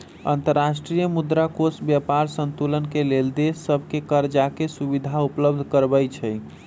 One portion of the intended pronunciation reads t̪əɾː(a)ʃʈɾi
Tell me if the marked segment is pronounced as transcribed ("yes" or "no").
yes